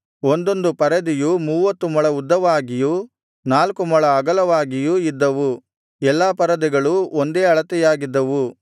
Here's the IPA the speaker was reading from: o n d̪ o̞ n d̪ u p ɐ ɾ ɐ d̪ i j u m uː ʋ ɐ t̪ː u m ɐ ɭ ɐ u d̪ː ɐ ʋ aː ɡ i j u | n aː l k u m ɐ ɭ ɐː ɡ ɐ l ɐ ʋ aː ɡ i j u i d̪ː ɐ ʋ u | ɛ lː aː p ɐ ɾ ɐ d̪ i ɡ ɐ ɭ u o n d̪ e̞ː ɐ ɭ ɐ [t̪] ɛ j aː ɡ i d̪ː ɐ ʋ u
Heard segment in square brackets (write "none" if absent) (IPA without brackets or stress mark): t̪